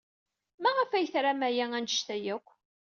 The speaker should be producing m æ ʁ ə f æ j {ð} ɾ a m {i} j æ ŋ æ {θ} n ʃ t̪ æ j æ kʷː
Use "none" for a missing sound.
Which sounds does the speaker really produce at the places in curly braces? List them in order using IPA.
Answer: θ, æ, none

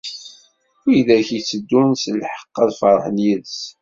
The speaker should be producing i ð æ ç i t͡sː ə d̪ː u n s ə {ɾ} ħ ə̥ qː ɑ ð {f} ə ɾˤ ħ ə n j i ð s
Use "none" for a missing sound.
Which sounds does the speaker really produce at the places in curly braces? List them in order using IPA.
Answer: l, f

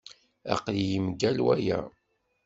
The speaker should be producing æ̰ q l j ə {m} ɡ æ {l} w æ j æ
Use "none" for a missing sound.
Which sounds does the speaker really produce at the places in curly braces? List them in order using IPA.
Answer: m, l

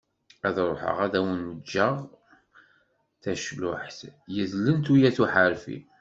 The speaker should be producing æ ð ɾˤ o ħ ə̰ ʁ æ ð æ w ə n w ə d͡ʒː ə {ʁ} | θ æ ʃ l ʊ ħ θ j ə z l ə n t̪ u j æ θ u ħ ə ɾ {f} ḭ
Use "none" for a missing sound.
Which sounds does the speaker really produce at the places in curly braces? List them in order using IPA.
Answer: ʁ, f

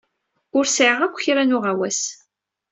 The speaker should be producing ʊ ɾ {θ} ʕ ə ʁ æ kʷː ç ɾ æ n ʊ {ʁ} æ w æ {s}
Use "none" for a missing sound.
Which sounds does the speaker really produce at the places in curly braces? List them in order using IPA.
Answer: s, ʁ, s

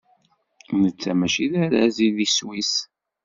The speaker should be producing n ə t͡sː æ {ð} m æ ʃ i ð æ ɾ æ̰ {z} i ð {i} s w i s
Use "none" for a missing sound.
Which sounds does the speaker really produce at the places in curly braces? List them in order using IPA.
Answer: none, z, i

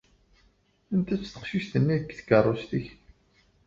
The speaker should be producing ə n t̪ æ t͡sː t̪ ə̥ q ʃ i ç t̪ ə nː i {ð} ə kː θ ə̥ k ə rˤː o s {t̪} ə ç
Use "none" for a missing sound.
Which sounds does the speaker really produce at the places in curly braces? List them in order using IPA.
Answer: ð, t̪

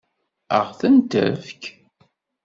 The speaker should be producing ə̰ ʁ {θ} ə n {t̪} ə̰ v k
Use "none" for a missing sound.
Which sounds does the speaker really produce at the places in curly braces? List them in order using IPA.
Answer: θ, t̪

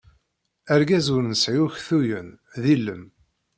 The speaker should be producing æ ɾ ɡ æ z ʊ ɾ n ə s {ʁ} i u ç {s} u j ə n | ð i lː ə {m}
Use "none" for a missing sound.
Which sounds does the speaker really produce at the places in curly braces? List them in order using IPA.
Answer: ʕ, θ, m

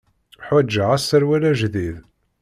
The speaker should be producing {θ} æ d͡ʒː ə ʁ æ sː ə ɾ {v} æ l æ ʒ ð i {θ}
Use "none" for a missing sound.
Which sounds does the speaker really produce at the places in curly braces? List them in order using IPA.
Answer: ħ, w, ð

